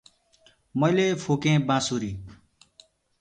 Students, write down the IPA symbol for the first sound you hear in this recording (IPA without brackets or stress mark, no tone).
m